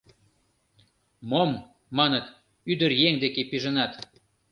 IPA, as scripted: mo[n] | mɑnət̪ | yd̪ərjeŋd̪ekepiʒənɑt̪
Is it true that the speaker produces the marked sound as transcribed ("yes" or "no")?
no